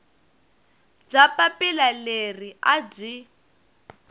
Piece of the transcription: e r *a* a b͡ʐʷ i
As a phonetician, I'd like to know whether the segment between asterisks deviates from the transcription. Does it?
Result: yes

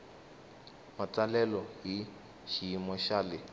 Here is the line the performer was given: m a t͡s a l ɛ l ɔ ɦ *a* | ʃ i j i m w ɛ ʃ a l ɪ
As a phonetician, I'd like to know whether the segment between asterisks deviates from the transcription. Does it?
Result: yes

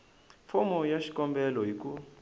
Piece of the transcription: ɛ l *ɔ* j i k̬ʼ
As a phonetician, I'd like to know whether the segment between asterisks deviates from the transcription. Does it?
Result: no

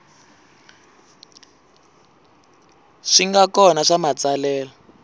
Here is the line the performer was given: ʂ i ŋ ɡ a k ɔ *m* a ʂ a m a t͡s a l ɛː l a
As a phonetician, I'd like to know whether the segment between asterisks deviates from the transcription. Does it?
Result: yes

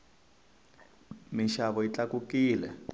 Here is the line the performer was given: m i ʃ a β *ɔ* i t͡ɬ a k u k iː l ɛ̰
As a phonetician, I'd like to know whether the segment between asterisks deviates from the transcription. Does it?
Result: no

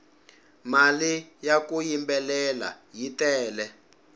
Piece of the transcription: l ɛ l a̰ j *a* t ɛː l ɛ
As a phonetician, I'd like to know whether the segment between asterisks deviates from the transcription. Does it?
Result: yes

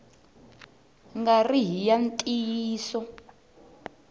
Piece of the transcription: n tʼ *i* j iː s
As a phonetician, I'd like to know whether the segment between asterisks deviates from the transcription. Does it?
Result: no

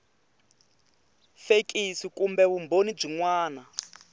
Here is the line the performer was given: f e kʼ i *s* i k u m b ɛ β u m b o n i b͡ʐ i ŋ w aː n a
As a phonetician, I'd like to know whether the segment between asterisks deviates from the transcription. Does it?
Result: no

